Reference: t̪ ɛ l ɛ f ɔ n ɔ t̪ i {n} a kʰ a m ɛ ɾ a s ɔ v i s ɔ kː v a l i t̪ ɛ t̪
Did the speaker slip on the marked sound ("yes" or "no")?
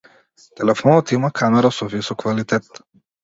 yes